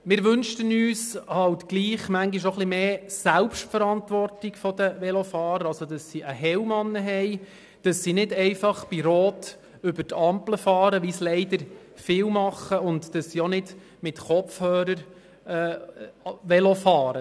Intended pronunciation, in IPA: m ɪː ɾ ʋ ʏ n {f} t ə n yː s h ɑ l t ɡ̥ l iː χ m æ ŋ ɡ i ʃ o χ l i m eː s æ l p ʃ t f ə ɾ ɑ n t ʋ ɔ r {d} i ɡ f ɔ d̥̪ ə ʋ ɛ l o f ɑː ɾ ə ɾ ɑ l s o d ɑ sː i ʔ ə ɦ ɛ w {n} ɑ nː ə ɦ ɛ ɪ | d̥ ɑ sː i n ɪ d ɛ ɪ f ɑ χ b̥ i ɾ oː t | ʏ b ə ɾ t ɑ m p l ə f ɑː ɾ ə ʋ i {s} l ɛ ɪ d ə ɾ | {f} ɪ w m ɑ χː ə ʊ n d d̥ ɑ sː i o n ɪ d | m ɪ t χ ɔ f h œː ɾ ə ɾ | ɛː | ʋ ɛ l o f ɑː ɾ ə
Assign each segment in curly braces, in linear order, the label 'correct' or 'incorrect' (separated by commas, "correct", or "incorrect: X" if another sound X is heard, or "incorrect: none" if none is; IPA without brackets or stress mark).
incorrect: ʃ, incorrect: t, incorrect: m, correct, correct